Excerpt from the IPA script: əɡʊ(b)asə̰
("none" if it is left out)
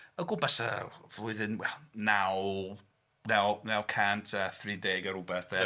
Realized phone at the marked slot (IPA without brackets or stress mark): b